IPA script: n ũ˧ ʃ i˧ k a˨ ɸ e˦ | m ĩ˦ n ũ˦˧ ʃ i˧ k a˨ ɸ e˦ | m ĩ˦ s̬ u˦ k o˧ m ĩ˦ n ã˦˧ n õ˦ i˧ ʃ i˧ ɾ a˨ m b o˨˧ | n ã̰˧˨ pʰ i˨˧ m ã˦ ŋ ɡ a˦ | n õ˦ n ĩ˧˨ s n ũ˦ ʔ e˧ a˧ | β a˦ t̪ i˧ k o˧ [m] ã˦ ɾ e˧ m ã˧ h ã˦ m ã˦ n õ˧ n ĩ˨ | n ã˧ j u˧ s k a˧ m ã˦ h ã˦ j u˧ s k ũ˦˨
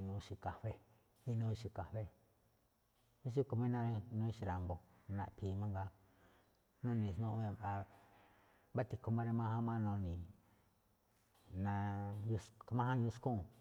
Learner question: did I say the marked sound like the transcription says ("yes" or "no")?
yes